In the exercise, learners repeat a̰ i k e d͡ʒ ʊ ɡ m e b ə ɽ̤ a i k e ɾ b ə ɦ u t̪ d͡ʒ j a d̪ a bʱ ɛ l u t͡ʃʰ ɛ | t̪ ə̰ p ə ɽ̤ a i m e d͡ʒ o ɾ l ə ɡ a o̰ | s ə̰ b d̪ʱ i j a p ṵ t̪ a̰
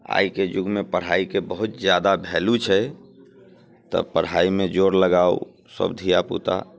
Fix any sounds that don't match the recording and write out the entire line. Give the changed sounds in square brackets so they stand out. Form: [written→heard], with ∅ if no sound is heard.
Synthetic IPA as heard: a̰ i k e d͡ʒ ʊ ɡ m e [b→p] ə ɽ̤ a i k e [ɾ→∅] b ə ɦ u t̪ d͡ʒ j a d̪ a bʱ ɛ l u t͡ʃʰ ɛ | t̪ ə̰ p ə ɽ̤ a i m e d͡ʒ o ɾ l ə ɡ a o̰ | s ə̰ b d̪ʱ i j a p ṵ t̪ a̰